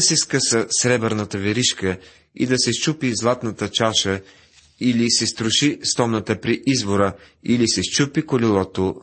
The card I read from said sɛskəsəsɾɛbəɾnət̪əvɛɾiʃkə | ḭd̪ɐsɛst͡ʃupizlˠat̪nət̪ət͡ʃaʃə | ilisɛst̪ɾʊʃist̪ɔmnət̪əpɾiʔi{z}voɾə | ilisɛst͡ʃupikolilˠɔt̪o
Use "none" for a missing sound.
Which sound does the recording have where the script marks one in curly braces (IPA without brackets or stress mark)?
z